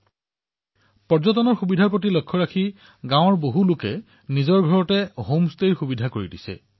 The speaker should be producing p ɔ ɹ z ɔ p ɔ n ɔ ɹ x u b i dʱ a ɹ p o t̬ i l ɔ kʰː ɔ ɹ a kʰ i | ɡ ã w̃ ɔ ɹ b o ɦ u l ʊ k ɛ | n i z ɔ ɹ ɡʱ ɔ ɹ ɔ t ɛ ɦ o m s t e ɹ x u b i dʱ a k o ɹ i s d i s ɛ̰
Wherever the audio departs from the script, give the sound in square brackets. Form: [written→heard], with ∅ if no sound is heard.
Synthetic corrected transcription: p ɔ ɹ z ɔ [p→t] ɔ n ɔ ɹ x u b i dʱ a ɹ p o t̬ i l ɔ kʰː ɔ ɹ a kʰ i | ɡ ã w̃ ɔ ɹ b o ɦ u l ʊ k ɛ | n i z ɔ ɹ ɡʱ ɔ ɹ ɔ t ɛ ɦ o m s t e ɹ x u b i dʱ a k o ɹ i [s→∅] d i s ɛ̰